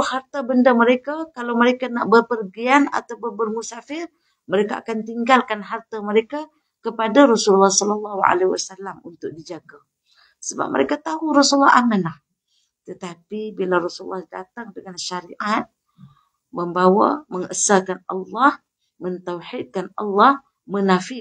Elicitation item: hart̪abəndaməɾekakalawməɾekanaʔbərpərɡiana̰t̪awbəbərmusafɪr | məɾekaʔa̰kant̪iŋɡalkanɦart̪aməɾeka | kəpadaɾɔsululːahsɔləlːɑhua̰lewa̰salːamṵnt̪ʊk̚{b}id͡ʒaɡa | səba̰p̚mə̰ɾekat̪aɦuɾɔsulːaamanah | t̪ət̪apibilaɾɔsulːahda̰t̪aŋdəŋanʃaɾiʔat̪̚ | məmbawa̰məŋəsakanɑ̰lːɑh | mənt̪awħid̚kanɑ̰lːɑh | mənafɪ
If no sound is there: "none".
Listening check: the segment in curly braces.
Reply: d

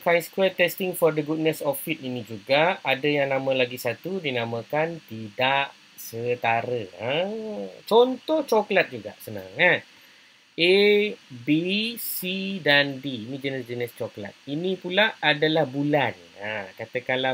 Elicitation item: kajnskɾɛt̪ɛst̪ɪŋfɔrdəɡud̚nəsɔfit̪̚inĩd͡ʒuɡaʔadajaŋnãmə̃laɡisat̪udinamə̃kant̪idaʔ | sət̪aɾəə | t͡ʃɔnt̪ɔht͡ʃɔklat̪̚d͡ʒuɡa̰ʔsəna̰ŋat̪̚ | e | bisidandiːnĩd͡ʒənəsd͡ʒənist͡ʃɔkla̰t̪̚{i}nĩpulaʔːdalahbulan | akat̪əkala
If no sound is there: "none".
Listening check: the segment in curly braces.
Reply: i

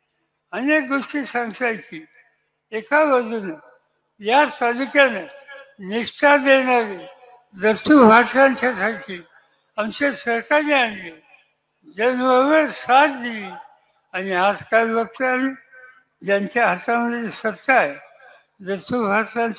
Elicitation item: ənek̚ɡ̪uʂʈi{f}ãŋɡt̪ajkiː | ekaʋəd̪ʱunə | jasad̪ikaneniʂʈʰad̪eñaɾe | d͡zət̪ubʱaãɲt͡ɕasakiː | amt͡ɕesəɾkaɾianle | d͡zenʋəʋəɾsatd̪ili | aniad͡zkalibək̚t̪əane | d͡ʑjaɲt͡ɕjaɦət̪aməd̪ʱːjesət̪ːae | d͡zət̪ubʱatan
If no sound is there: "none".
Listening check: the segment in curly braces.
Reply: s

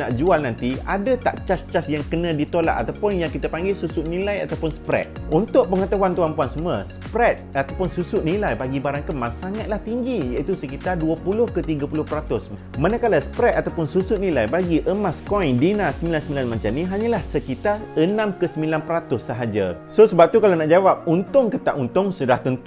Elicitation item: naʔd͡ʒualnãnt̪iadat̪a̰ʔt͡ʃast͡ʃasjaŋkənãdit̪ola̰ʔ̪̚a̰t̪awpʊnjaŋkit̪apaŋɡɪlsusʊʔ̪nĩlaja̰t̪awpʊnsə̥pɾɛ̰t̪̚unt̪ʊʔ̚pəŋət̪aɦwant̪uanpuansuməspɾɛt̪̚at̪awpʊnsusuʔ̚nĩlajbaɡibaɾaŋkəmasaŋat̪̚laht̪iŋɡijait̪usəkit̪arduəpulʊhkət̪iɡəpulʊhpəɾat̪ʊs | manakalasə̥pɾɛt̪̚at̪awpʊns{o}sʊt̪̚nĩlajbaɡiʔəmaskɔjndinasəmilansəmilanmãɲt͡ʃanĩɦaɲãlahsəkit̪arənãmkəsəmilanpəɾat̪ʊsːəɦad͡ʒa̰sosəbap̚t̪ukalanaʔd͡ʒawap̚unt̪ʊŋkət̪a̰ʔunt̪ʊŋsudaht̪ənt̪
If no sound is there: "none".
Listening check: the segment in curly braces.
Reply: u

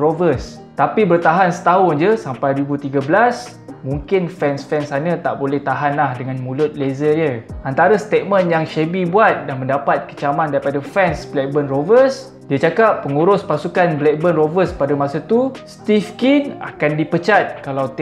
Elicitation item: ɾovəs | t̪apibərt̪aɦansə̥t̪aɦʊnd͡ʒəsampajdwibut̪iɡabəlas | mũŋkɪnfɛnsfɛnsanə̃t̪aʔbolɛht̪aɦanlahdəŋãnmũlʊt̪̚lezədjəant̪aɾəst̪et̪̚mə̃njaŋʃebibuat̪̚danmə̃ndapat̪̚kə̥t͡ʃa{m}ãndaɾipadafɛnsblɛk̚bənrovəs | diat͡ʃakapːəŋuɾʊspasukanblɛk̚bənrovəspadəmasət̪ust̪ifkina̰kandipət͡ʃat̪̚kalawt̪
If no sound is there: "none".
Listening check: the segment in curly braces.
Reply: m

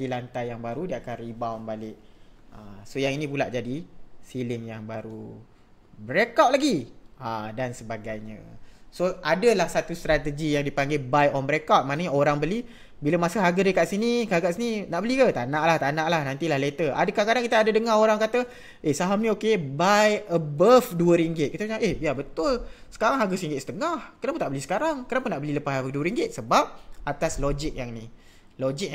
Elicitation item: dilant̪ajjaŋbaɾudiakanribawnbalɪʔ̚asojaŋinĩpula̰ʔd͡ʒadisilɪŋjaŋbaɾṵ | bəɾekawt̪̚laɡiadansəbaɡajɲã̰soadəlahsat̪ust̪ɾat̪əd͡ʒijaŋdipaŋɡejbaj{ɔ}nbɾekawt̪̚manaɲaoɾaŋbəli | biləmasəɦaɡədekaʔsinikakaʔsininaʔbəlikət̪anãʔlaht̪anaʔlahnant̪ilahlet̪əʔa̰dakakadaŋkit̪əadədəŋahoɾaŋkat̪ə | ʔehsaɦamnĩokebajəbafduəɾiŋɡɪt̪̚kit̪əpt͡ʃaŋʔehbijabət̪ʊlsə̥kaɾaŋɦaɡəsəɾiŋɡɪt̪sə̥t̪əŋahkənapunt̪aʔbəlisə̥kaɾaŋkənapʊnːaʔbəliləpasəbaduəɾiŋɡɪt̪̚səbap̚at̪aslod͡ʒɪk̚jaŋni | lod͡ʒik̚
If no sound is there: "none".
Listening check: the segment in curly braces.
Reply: ɔ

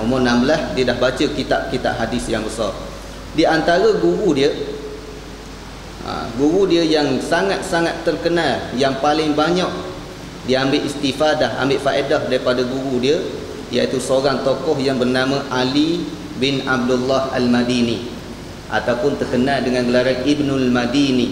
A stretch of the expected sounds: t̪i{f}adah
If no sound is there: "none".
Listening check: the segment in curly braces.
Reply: f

